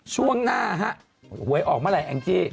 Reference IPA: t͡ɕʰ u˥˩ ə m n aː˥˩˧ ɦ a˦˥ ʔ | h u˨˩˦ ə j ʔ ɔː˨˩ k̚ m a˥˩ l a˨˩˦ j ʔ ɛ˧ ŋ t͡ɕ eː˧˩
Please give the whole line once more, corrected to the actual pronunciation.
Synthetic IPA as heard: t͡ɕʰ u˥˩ ə ŋ n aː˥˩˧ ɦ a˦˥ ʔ | h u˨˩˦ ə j ʔ ɔː˨˩ k̚ m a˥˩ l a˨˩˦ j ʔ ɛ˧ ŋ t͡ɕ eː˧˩